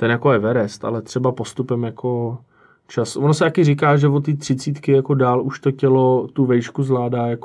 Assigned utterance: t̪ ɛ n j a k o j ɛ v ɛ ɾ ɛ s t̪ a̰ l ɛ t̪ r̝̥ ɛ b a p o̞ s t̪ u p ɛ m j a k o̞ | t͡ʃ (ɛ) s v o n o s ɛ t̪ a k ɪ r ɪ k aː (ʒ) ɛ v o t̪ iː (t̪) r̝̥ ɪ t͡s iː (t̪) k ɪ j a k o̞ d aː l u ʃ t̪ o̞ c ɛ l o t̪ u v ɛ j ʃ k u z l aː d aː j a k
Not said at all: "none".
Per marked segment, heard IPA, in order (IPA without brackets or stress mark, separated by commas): a, ʒ, t̪, t̪